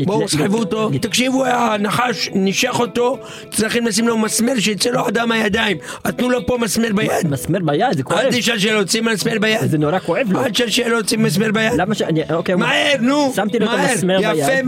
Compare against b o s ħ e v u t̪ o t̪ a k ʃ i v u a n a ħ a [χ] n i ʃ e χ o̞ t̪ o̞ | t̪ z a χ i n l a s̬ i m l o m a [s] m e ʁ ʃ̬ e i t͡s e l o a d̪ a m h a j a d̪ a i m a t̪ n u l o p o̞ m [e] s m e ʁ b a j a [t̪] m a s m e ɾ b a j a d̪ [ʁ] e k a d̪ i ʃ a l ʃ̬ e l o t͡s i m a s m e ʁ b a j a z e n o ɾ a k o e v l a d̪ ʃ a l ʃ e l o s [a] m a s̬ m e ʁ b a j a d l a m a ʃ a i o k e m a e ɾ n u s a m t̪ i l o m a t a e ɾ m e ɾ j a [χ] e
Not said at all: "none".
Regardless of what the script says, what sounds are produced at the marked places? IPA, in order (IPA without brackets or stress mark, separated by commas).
ʃ, s, a, d̪, z, i, f